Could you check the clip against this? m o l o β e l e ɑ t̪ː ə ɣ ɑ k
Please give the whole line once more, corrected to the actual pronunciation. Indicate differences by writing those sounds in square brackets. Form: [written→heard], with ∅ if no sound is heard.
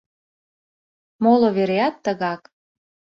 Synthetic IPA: m o l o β e [l→ɾ] e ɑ t̪ː ə ɣ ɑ k